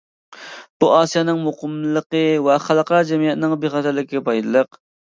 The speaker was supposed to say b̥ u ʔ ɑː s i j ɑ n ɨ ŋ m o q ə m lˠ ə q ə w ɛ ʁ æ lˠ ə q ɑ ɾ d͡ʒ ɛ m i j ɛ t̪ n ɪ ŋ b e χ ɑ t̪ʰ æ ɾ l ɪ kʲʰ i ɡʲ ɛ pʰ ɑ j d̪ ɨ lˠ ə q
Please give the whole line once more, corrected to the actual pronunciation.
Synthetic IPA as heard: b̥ u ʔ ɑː s i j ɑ n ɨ ŋ m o q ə m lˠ ə q ə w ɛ χ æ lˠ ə q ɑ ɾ d͡ʒ ɛ m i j ɛ t̪ n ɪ ŋ b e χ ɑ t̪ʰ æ ɾ l ɪ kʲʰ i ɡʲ ɛ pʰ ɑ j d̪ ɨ lˠ ə q